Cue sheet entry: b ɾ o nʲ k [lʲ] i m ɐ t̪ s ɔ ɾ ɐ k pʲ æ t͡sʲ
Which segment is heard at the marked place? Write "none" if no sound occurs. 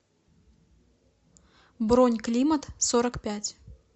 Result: lʲ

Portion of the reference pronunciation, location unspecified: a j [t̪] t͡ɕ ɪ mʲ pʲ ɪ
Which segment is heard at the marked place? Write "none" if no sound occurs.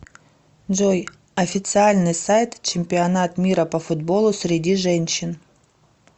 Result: t̪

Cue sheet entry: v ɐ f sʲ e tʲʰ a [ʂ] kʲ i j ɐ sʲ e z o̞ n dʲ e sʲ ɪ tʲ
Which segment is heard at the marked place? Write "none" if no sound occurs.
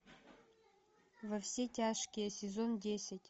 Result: ʂ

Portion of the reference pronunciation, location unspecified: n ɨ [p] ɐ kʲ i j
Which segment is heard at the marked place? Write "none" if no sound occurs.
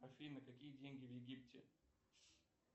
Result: k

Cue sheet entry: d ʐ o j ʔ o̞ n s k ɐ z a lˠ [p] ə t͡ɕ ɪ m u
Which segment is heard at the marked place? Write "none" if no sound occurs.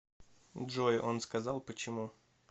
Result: p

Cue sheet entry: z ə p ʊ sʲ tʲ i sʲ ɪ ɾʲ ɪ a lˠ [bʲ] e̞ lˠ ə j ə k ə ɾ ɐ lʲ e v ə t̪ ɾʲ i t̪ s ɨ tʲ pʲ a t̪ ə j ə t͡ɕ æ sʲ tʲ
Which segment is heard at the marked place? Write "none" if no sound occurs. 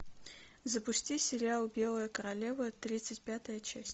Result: bʲ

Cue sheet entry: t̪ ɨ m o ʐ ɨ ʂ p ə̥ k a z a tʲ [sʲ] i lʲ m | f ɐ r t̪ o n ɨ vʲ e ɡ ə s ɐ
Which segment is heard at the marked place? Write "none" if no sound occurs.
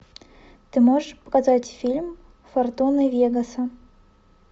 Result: fʲ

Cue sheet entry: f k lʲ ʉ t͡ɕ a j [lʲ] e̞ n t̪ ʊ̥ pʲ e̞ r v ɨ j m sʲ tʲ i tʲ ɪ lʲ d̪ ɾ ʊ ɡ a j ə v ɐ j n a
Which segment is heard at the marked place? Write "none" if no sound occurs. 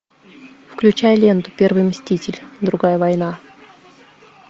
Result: lʲ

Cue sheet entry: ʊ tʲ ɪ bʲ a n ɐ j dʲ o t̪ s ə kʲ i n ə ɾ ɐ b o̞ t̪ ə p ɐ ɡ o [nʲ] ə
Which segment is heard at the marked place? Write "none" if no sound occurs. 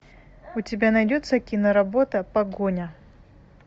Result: nʲ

